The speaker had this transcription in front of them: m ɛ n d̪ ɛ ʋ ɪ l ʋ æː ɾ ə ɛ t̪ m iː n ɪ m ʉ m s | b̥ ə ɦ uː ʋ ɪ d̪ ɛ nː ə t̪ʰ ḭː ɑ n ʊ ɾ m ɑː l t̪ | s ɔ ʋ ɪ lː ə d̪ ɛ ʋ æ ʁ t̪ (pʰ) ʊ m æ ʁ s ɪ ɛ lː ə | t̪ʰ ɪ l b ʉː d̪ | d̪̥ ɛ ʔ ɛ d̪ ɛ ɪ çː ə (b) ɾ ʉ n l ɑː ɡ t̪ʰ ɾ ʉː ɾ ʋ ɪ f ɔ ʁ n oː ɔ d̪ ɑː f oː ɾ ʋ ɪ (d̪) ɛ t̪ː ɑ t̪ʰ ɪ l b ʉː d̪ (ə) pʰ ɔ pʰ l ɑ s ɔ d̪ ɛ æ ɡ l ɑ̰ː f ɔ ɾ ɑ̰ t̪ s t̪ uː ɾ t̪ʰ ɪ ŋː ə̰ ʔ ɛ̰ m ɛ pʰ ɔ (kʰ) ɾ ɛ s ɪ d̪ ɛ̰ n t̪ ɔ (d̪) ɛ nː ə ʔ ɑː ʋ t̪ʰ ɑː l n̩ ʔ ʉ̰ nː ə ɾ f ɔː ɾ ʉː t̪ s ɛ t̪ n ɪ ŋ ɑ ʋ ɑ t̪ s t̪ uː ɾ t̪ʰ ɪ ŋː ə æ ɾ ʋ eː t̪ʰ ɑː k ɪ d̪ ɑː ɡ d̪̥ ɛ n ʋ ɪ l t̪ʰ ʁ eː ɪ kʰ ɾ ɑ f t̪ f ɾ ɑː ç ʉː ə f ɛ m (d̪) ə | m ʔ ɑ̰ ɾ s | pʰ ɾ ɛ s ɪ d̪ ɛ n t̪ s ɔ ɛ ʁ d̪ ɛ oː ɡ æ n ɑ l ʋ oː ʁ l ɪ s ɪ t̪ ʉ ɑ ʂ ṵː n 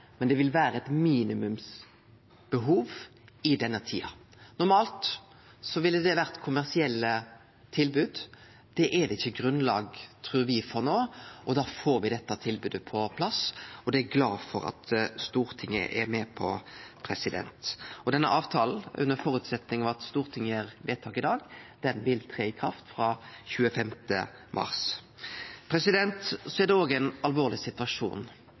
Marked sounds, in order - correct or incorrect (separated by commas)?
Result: incorrect, incorrect, correct, correct, incorrect, correct, incorrect